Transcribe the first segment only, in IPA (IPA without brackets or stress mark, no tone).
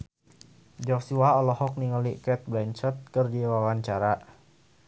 d͡ʒ